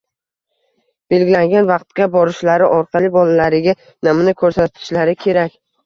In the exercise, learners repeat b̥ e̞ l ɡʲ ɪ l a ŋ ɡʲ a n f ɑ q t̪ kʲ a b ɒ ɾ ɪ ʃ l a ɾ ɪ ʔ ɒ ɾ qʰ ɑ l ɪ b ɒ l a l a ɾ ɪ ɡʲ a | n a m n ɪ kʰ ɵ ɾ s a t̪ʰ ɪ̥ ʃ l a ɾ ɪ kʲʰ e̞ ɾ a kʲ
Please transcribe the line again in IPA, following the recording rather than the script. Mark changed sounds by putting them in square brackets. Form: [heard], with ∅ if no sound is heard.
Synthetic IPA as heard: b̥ e̞ l ɡʲ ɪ l a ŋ ɡʲ a n [v] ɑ q t̪ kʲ a b ɒ ɾ ɪ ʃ l a ɾ ɪ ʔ ɒ ɾ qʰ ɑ l ɪ b ɒ l a l a ɾ ɪ ɡʲ a | n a m n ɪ kʰ ɵ ɾ s a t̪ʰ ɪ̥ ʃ l a ɾ ɪ kʲʰ e̞ ɾ a kʲ